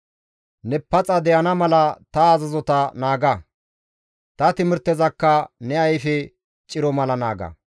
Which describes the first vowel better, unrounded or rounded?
unrounded